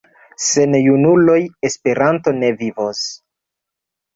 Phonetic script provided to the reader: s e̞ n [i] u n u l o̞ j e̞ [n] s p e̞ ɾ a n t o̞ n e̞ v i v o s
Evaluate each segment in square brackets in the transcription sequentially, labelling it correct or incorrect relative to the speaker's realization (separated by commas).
incorrect, incorrect